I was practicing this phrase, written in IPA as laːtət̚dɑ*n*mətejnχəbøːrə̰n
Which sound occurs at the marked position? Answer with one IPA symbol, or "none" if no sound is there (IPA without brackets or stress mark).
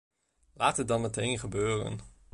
n